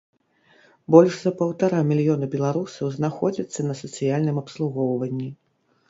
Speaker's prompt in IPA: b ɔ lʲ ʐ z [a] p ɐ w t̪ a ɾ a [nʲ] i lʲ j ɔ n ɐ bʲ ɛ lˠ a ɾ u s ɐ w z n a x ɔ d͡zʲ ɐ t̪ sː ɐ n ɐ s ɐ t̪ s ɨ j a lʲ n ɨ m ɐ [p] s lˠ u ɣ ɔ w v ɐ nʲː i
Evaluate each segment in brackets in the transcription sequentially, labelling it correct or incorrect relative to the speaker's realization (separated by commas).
incorrect, incorrect, correct